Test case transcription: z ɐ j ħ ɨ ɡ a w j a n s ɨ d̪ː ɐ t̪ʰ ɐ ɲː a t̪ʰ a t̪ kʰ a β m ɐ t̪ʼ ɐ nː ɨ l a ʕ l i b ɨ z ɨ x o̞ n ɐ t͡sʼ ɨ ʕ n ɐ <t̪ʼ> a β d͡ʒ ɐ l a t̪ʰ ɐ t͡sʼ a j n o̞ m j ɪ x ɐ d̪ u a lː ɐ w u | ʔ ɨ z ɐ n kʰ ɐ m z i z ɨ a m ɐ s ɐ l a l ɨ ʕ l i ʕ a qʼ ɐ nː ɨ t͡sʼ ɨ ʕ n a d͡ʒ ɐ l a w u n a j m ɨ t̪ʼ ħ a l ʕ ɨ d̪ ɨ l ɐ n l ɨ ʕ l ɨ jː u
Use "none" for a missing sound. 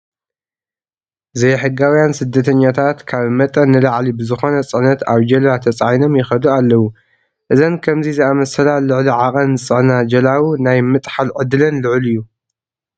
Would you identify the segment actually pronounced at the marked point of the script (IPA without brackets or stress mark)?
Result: t̪